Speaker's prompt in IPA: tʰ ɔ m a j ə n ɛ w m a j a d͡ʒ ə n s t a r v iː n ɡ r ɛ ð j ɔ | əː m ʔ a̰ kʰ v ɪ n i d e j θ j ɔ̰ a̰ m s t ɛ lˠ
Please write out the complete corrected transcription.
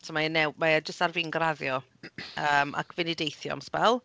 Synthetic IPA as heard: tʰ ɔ m a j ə n ɛ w m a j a d͡ʒ ə s t a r v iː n ɡ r a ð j ɔ | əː m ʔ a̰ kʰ v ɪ n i d e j θ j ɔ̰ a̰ m s p ɛ lˠ